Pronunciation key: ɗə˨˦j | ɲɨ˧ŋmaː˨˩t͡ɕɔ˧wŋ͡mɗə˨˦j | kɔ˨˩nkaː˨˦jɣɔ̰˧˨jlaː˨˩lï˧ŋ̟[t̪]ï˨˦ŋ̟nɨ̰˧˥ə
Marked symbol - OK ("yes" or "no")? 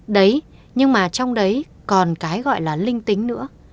yes